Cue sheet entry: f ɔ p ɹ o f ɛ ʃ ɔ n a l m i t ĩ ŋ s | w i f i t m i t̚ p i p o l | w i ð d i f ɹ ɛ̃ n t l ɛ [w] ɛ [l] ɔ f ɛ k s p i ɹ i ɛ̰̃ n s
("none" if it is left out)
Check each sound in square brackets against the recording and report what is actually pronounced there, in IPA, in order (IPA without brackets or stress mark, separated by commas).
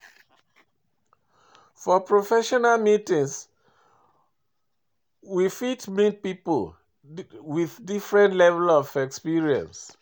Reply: v, l